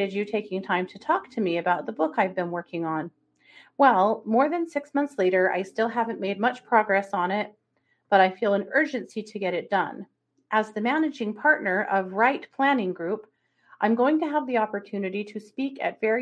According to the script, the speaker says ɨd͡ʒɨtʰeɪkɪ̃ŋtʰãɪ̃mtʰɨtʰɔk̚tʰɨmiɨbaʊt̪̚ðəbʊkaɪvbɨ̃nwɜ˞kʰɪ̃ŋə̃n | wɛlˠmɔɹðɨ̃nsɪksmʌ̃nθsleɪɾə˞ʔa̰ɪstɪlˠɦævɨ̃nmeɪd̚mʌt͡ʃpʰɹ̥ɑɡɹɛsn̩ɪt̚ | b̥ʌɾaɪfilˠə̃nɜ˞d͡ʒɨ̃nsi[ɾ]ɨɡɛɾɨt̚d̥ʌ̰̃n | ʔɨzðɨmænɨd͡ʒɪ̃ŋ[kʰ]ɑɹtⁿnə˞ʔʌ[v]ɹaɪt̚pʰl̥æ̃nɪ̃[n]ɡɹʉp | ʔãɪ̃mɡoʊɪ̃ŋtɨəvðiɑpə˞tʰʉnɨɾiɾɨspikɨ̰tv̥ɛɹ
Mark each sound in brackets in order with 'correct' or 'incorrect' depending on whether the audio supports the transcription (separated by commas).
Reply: correct, incorrect, correct, incorrect